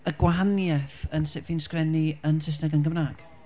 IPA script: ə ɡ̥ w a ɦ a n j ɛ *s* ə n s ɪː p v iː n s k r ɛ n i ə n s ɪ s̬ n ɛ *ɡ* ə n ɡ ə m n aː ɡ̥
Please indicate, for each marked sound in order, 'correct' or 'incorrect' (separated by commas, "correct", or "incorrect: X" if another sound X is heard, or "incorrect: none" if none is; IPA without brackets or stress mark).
incorrect: θ, correct